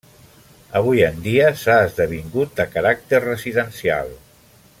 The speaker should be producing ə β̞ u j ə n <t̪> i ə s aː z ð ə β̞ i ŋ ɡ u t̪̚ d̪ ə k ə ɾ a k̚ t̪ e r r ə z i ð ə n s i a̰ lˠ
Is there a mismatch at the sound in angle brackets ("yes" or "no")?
yes